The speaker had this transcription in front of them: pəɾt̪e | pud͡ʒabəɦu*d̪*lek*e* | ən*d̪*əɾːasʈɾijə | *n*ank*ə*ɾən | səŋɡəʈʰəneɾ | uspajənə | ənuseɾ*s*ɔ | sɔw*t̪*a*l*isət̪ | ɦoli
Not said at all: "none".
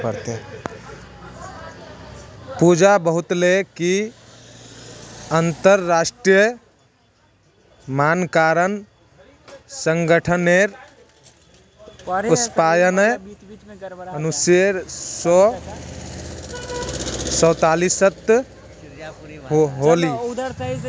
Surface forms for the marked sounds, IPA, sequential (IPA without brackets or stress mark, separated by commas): t̪, i, t̪, m, a, s, t̪, l